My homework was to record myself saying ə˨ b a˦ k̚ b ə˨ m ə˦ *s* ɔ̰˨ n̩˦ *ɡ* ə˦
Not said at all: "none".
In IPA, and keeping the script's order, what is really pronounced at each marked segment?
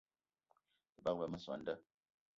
s, d

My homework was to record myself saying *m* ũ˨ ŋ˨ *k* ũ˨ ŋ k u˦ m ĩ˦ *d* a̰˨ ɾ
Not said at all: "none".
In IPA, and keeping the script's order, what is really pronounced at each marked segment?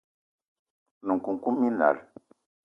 n, k, n

